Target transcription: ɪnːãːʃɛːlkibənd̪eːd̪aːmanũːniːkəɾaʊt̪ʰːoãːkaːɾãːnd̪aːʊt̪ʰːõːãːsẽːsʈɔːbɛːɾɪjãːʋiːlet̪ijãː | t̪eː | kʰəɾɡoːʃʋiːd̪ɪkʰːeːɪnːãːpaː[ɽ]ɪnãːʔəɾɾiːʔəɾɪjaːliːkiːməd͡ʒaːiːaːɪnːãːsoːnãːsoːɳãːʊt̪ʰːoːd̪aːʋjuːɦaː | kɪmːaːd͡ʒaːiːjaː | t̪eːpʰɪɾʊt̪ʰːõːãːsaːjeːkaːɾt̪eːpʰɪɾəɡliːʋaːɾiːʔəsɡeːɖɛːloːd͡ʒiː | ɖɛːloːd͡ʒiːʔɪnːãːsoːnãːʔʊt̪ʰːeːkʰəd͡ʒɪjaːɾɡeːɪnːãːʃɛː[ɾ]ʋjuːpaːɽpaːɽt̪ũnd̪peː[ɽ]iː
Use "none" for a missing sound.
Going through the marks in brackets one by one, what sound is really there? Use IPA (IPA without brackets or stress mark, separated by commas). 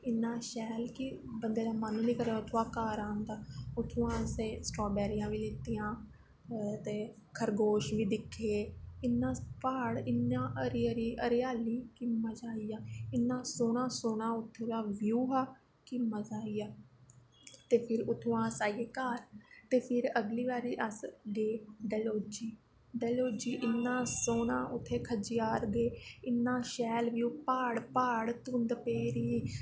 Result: ɽ, l, ɾ